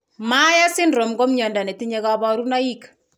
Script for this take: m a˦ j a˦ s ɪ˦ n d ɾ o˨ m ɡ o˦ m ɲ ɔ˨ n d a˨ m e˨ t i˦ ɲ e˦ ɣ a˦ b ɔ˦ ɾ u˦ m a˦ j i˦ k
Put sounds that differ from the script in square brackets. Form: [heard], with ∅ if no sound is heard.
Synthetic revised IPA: m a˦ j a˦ s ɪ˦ n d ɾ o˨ m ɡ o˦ m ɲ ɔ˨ n d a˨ [n] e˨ t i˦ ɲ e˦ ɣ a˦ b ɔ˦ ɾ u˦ [n] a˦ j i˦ k